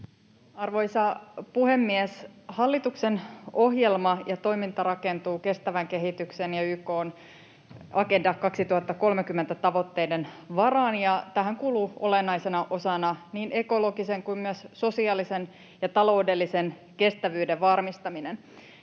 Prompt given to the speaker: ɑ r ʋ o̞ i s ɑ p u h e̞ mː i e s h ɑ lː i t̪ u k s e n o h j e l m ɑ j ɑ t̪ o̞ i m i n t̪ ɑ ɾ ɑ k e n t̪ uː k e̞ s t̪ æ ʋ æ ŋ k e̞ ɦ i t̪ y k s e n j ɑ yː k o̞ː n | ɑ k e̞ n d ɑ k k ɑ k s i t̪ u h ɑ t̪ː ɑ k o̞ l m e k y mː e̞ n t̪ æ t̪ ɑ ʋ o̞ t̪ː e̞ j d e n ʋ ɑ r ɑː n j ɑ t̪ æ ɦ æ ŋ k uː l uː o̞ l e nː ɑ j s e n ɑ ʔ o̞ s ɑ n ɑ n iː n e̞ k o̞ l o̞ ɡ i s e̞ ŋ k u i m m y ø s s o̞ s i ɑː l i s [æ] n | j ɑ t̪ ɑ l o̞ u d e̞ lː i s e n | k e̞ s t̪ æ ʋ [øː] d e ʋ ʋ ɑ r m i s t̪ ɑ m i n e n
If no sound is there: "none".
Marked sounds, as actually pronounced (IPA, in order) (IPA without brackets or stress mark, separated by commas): e, yː